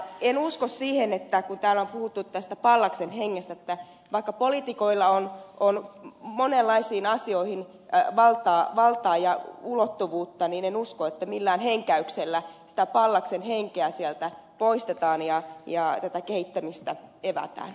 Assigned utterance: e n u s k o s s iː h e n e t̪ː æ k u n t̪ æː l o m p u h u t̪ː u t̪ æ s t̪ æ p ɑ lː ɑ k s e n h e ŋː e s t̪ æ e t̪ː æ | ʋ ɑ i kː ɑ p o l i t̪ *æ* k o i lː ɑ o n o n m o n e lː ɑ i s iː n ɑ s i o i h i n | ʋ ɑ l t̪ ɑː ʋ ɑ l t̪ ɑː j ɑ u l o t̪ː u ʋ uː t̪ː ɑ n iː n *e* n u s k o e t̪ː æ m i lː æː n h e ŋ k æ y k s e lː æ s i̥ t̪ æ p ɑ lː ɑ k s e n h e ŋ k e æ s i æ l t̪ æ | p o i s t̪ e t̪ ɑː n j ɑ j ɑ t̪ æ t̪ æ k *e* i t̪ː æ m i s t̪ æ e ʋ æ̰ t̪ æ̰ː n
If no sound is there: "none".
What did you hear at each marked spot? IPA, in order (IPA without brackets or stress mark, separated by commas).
i, e, e